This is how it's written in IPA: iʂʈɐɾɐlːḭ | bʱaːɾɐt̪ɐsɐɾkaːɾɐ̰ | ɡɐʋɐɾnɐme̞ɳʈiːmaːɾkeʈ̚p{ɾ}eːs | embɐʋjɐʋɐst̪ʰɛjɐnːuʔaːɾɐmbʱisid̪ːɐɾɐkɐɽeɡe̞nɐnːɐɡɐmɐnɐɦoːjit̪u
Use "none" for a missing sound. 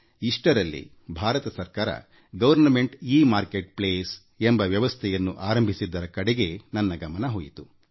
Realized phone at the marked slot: l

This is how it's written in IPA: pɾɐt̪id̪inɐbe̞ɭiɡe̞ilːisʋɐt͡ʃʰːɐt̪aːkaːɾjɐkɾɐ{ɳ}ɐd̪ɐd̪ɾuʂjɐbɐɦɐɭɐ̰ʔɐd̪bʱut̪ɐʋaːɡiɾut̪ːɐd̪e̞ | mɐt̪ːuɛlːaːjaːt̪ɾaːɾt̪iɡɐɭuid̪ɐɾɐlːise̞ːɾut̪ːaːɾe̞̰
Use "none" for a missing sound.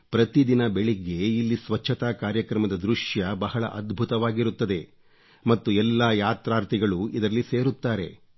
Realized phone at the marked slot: m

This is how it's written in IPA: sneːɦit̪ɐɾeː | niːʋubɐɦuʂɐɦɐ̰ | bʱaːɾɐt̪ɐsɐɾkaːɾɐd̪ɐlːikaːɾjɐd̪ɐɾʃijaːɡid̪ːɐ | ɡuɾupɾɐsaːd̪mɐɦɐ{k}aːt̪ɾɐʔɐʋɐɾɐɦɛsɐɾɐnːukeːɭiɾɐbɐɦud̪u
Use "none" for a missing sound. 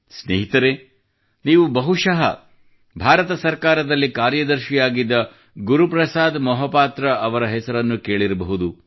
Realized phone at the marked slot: p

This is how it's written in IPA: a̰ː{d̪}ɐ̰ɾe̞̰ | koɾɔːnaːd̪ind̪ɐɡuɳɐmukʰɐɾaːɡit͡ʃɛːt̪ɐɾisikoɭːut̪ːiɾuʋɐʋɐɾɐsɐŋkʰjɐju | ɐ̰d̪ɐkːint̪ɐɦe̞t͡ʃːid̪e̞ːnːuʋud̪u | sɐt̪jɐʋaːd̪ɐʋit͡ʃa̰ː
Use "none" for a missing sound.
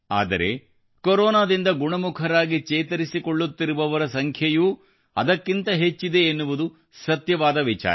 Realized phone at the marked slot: d̪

